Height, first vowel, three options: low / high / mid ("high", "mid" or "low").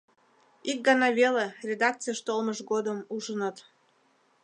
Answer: high